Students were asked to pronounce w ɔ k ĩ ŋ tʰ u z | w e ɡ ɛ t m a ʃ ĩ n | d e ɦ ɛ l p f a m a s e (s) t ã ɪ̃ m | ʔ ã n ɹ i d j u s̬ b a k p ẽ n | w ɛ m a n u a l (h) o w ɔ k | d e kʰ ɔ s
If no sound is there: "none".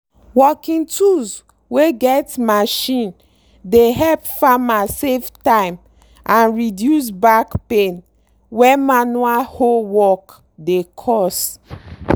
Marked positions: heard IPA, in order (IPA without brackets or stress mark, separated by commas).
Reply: f, h